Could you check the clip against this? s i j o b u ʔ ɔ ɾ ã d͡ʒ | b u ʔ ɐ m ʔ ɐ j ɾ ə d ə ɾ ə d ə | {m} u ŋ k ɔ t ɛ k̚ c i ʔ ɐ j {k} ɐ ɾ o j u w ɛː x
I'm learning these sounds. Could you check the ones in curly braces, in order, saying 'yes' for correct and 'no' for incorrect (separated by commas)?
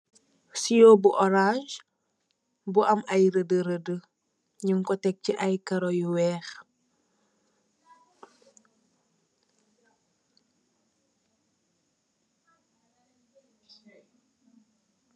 no, yes